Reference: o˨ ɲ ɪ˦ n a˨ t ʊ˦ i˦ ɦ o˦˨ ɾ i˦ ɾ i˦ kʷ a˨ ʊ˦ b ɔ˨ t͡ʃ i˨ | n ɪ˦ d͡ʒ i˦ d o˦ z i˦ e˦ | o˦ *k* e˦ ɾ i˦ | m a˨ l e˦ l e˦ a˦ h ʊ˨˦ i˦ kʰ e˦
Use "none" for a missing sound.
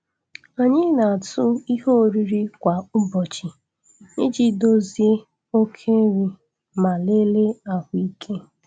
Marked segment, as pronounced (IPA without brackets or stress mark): kʰ